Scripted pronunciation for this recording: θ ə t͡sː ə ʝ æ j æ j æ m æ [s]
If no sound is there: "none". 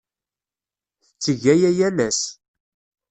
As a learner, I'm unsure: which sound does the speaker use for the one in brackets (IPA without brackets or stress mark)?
s